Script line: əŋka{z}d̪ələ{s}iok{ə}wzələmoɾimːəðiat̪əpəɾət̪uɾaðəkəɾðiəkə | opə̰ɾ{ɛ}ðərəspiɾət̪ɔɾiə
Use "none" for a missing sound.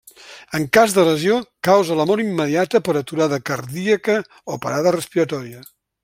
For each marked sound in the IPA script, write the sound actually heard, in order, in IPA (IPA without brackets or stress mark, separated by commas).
z, z, a, a